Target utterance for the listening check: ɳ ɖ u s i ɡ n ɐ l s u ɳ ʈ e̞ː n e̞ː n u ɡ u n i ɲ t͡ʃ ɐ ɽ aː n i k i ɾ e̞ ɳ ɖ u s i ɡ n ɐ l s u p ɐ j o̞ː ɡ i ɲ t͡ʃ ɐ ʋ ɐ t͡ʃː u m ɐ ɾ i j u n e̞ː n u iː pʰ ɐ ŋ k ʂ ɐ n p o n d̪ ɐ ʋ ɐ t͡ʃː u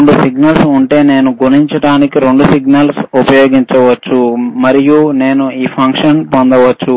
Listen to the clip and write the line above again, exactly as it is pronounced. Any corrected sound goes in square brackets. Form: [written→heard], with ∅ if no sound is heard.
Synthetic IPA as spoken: ɳ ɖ u s i ɡ n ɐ l s u ɳ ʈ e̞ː n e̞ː n u ɡ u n i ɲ t͡ʃ ɐ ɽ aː n i k i ɾ e̞ ɳ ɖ u s i ɡ n ɐ l s u p ɐ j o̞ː ɡ i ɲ t͡ʃ ɐ ʋ ɐ t͡ʃː u m ɐ ɾ i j u n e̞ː n u iː pʰ ɐ ŋ k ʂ ɐ n p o n d̪ ɐ ʋ ɐ t͡ʃː u